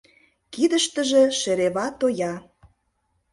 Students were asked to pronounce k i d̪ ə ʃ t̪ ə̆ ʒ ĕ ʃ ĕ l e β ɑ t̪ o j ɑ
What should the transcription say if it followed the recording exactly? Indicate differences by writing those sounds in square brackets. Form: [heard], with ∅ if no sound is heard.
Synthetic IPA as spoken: k i d̪ ə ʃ t̪ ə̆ ʒ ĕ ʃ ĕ [ɾ] e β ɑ t̪ o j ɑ